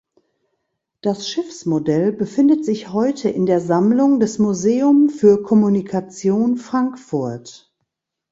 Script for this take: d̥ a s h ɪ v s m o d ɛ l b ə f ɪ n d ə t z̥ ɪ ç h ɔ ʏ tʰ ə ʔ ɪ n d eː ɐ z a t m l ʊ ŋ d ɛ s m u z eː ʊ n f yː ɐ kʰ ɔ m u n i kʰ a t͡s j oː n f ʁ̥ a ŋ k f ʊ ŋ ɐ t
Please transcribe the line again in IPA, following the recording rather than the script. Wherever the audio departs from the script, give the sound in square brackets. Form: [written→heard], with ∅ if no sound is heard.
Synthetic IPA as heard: d̥ a s [h→ʃ] ɪ [v→f] s m o d ɛ l b ə f ɪ n d ə t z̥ ɪ ç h ɔ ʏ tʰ ə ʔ ɪ n d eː ɐ z a [t→∅] m l ʊ ŋ d ɛ s m u z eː ʊ [n→m] f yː ɐ kʰ ɔ m u n i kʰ a t͡s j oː n f ʁ̥ a ŋ k f ʊ [ŋ→∅] ɐ t